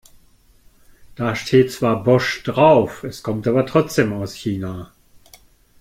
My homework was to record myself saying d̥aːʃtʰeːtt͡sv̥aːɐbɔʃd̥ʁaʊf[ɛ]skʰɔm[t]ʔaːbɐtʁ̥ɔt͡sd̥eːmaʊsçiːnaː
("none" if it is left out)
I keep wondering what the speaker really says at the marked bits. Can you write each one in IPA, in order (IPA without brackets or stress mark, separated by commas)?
ɛ, t